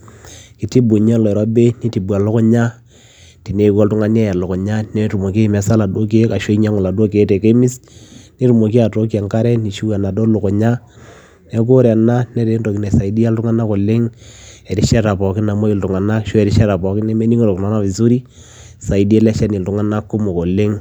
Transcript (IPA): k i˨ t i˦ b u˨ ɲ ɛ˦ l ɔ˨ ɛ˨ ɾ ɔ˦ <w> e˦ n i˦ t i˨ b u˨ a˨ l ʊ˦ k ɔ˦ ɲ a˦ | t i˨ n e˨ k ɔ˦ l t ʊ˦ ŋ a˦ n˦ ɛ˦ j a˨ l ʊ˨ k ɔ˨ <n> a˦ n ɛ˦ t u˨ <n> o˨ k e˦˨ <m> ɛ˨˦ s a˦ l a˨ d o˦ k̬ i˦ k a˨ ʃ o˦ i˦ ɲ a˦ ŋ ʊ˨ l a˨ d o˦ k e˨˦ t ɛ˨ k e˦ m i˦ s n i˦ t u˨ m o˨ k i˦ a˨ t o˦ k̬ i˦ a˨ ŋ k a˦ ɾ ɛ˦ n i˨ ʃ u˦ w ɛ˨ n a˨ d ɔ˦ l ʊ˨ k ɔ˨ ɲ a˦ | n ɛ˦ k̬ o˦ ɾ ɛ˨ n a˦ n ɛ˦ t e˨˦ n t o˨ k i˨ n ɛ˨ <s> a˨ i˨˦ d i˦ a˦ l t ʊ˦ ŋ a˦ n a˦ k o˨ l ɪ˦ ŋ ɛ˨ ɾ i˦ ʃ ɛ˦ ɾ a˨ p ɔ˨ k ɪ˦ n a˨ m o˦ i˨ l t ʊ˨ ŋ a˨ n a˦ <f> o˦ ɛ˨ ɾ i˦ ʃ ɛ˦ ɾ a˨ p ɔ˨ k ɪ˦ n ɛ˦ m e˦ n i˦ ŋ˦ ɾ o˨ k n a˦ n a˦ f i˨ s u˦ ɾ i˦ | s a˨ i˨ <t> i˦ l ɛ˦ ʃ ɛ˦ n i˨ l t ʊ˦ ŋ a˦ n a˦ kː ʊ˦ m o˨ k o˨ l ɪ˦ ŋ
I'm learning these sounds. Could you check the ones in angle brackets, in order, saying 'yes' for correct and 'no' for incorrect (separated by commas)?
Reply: no, no, no, yes, yes, no, no